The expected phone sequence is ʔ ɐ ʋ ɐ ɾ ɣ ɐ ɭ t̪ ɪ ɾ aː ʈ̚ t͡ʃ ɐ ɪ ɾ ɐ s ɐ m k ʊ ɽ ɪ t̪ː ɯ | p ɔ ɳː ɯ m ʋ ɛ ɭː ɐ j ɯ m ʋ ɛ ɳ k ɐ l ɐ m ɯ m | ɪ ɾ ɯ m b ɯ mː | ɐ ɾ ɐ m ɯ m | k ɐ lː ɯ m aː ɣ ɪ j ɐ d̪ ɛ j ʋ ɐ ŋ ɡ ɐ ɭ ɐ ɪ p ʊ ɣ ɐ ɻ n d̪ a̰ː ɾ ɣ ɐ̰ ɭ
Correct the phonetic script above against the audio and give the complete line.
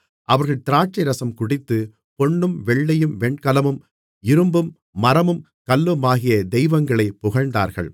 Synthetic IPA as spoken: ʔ ɐ ʋ ɐ ɾ ɣ ɐ ɭ t̪ ɪ ɾ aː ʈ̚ t͡ʃ ɐ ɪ ɾ ɐ s ɐ m k ʊ ɽ ɪ t̪ː ɯ | p ɔ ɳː ɯ m ʋ ɛ ɭː ɐ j ɯ m ʋ ɛ ɳ k ɐ l ɐ m ɯ m | ɪ ɾ ɯ m b ɯ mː | ɐ ɾ ɐ m ɯ m | k ɐ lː ɯ m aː ɣ ɪ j ɐ d̪ ɛ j ʋ ɐ ŋ ɡ ɐ ɭ ɐ ɪ p ʊ ɣ ɐ ɻ n d̪ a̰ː ɾ ɣ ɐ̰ ɭ